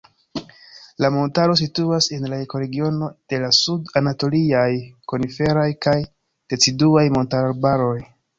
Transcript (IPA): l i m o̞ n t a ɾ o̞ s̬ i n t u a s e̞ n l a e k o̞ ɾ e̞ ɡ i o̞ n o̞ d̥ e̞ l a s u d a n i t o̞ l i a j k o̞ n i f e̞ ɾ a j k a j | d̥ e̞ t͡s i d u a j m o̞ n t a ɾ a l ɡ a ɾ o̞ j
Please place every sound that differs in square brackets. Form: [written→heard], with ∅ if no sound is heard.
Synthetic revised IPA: l [i→a] m o̞ n t a ɾ o̞ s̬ i [n→∅] t u a s e̞ n l a e k o̞ ɾ e̞ ɡ i o̞ n o̞ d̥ e̞ l a s u d a n [i→a] t o̞ l i a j k o̞ n i f e̞ ɾ a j k a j | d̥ e̞ t͡s i d u a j m o̞ n t a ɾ a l [ɡ→b] a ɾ o̞ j